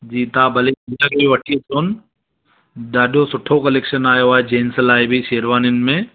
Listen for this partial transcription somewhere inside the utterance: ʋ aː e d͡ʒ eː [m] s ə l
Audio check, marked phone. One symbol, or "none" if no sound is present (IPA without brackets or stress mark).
n